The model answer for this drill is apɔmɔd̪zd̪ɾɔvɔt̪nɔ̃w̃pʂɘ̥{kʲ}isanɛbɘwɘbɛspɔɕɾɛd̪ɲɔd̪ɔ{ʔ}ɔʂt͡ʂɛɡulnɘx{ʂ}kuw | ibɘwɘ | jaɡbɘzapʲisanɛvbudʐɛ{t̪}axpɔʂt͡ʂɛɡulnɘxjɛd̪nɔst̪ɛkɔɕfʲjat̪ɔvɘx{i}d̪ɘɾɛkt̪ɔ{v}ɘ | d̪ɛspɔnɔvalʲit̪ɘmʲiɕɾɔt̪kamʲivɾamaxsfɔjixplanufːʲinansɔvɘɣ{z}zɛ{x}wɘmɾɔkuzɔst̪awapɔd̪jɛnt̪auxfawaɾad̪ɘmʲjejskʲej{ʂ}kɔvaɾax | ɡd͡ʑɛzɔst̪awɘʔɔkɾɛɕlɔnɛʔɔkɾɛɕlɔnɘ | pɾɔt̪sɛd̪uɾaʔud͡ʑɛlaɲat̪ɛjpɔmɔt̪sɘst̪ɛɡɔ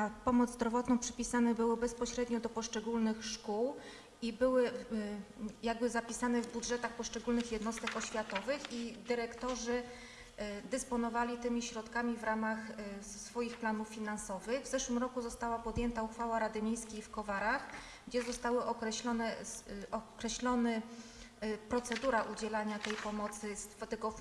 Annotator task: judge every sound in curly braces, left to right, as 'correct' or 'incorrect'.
incorrect: pʲ, incorrect: p, correct, correct, correct, incorrect: ʐ, incorrect: v, incorrect: ʂ, incorrect: f

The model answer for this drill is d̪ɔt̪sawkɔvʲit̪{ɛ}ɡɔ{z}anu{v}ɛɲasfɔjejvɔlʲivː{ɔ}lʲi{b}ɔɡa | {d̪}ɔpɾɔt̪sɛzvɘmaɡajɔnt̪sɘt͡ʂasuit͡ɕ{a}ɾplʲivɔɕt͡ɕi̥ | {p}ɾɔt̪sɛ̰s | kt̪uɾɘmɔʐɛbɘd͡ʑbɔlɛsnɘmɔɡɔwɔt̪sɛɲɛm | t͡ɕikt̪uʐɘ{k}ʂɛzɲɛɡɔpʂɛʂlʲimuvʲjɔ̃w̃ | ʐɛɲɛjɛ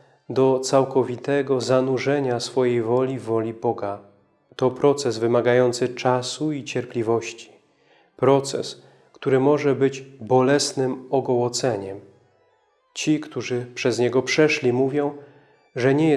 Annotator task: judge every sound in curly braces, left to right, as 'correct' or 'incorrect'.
correct, correct, incorrect: ʐ, correct, correct, incorrect: t̪, incorrect: ɛ, correct, incorrect: p

